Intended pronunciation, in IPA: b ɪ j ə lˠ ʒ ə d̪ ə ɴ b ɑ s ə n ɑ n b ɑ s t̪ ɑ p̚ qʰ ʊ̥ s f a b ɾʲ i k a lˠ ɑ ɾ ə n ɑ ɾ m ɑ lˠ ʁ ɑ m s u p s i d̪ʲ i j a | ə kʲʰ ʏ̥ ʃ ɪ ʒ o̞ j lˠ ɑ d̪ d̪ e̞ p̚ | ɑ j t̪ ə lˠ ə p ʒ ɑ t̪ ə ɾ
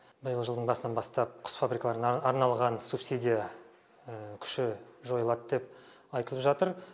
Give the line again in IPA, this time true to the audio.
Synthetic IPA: b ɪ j ə lˠ ʒ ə d̪ ə ɴ b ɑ s ə n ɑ n b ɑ s t̪ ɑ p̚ qʰ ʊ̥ s f a b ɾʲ i k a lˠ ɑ ɾ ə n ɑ ɾ n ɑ lˠ ʁ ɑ n s u p s i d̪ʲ i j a | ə kʲʰ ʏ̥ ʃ ɪ ʒ o̞ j lˠ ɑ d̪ d̪ e̞ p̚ | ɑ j t̪ ə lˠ ə p ʒ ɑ t̪ ə ɾ

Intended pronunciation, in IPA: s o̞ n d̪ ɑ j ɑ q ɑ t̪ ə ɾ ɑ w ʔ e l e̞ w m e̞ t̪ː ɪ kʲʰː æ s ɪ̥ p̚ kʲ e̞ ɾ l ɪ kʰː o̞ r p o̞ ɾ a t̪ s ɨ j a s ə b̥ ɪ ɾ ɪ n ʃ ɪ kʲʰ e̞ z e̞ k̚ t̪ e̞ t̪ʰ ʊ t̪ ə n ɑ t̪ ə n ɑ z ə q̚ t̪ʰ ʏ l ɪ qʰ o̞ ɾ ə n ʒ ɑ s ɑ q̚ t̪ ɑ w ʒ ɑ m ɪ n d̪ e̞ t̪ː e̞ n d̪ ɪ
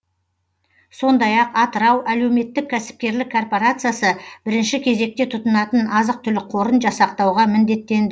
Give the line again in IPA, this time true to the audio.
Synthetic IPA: s o̞ n d̪ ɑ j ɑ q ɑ t̪ ə ɾ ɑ w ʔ æ l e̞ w m e̞ t̪ː ɪ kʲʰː æ s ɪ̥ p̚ kʲ e̞ ɾ l ɪ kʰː o̞ r p o̞ ɾ a t̪ s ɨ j a s ə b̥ ɪ ɾ ɪ n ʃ ɪ kʲʰ e̞ z e̞ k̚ t̪ e̞ t̪ʰ ʊ t̪ ə n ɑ t̪ ə n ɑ z ə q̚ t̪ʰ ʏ l ɪ qʰ o̞ ɾ ə n ʒ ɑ s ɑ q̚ t̪ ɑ w ʁ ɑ m ɪ n d̪ e̞ t̪ː e̞ n d̪ ɪ

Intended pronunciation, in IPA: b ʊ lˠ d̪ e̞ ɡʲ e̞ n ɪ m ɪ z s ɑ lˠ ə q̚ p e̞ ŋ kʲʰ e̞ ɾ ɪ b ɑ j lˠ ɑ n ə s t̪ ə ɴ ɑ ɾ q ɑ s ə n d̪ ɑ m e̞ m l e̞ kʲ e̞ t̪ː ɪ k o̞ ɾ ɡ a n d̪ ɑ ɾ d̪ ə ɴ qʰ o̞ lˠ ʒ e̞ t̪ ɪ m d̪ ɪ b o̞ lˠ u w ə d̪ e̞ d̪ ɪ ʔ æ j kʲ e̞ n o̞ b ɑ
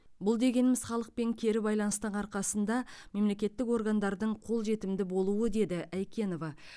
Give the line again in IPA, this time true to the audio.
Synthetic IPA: b ʊ lˠ d̪ e̞ ɡʲ e̞ n ɪ m ɪ z χ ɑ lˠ ə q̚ p e̞ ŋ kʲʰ e̞ ɾ ɪ b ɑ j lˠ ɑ n ə s t̪ ə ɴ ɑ ɾ q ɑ s ə n d̪ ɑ m e̞ m l e̞ kʲ e̞ t̪ː ɪ k o̞ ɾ ɡ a n d̪ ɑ ɾ d̪ ə ɴ qʰ o̞ lˠ ʒ e̞ t̪ ɪ m d̪ ɪ b o̞ lˠ u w ə d̪ e̞ d̪ ɪ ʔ æ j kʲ e̞ n o̞ v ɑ

